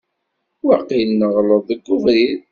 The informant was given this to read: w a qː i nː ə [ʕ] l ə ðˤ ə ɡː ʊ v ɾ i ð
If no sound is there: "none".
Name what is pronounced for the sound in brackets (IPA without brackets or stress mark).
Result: ʁ